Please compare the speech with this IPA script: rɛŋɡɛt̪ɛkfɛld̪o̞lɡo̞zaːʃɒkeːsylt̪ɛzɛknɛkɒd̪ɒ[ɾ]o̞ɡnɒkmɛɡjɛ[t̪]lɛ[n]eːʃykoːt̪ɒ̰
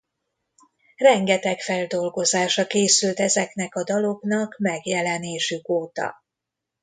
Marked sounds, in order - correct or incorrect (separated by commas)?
incorrect, incorrect, correct